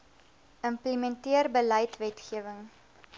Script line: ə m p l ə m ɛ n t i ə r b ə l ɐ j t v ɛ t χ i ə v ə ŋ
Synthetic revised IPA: ə m p l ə m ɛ n t i ə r b ə l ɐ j t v ɛ t χ i ə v ə ŋ